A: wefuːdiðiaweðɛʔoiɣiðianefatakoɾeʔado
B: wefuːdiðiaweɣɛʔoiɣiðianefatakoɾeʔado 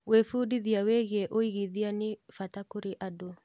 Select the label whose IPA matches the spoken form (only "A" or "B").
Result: B